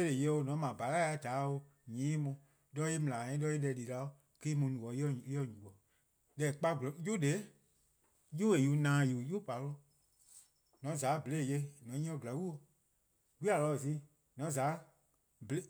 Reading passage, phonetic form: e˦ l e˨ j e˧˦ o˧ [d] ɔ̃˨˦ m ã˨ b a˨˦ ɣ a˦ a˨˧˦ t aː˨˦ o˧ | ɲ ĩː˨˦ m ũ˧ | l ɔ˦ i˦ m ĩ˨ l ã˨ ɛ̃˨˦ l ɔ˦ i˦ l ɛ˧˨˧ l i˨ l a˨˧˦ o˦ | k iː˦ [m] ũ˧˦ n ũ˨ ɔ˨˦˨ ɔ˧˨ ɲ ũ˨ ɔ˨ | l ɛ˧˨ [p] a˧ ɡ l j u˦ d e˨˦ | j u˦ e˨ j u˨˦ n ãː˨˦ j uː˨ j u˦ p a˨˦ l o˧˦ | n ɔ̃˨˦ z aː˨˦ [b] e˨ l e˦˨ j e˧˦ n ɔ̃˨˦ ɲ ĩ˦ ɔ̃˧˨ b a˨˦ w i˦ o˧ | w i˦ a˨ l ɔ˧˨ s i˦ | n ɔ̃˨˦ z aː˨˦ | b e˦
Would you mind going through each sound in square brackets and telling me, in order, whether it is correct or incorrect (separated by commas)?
incorrect, correct, incorrect, correct